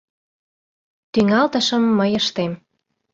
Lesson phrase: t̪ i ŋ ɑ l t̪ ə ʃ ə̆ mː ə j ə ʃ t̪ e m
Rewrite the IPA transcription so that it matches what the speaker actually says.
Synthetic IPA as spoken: t̪ y ŋ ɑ l t̪ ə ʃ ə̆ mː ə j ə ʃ t̪ e m